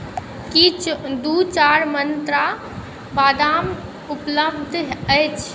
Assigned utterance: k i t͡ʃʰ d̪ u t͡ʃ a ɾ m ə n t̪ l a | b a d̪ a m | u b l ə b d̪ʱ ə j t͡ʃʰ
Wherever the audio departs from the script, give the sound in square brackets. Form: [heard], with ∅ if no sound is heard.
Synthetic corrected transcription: k i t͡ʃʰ d̪ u t͡ʃ a ɾ m ə n t̪ [ɾ] a | b a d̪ a m | u [p] l ə b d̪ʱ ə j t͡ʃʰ